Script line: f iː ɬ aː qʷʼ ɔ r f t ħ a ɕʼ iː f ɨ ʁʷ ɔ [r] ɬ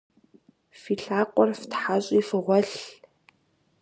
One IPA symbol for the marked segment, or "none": none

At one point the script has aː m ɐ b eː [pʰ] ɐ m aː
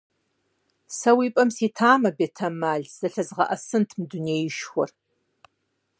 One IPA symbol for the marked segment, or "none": tʰ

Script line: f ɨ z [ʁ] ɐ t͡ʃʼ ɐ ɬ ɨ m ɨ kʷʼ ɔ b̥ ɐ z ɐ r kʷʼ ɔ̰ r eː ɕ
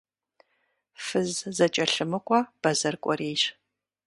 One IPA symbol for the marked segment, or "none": z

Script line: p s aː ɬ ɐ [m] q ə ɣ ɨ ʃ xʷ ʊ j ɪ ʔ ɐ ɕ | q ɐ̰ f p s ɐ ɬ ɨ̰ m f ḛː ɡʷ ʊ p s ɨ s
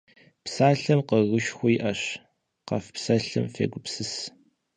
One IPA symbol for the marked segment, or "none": m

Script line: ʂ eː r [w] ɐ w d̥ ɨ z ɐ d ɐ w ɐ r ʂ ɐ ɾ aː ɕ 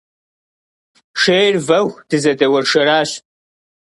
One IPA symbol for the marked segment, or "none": v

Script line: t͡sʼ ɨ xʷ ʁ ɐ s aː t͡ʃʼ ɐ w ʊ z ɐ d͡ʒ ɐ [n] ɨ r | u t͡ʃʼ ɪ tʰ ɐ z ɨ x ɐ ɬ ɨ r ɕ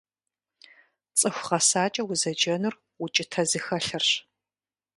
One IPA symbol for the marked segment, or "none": n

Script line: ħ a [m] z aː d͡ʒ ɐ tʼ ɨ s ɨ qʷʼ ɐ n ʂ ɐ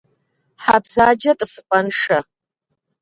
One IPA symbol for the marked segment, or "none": b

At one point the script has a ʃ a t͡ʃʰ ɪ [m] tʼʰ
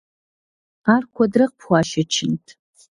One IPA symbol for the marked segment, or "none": n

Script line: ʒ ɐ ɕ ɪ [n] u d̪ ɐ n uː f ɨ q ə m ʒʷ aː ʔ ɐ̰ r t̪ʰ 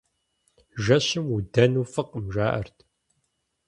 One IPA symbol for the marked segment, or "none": m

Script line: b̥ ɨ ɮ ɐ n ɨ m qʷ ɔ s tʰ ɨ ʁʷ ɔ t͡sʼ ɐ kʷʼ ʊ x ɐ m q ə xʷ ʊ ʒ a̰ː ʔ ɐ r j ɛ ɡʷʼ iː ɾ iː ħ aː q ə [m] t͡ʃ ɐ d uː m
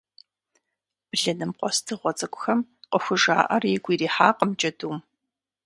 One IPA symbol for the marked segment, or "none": m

